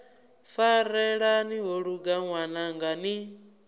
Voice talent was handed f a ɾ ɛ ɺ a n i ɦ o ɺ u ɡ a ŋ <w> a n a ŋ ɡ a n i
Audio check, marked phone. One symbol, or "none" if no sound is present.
w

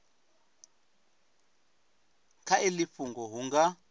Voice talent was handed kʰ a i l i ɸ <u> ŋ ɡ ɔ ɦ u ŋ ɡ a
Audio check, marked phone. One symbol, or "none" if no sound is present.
u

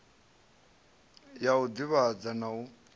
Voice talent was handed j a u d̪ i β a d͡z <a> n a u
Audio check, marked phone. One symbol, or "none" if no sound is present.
a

